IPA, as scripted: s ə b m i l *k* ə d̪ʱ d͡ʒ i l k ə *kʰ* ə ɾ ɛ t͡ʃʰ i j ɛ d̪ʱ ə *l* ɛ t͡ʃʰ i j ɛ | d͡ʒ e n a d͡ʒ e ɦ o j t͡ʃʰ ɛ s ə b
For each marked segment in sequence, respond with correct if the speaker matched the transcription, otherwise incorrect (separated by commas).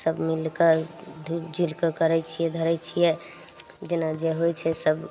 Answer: correct, incorrect, incorrect